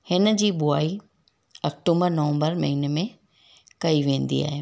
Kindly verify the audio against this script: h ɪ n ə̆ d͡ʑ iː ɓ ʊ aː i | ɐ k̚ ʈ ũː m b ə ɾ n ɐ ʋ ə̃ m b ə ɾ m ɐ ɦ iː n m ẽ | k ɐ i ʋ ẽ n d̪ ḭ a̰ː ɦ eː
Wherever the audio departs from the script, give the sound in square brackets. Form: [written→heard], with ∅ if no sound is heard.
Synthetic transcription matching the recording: h ɪ n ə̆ d͡ʑ iː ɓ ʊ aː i | ɐ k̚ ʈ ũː m b ə ɾ n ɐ ʋ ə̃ m b ə ɾ m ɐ ɦ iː n m ẽ | k ɐ i ʋ [ẽ→ẽː] n d̪ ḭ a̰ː ɦ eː